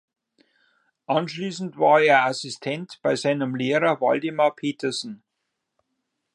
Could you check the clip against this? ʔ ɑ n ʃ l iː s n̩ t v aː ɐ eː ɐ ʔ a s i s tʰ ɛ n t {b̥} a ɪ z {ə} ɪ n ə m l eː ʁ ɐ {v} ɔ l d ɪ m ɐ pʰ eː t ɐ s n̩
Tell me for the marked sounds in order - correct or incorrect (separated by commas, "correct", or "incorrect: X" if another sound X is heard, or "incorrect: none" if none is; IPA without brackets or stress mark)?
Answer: correct, incorrect: a, correct